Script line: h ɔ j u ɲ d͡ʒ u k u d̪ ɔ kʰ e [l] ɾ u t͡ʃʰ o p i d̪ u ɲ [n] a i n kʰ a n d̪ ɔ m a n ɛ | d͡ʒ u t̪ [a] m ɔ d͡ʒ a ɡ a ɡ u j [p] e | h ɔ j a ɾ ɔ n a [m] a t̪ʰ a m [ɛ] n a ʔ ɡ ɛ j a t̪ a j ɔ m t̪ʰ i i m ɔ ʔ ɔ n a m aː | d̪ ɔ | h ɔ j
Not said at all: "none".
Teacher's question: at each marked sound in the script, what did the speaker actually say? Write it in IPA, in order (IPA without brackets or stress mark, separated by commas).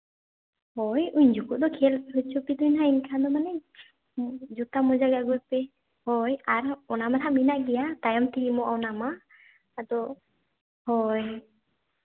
l, n, a, p, m, i